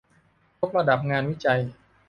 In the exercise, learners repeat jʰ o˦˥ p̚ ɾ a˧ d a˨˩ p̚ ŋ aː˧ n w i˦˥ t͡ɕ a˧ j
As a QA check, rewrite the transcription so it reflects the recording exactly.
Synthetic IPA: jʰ o˦˥ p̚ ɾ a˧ d a˨˩ p̚ ŋ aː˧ n w i˦˥ t͡ɕ a˧ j